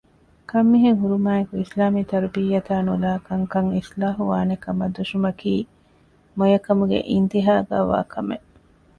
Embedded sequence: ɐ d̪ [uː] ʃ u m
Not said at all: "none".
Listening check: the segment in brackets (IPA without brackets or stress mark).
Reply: u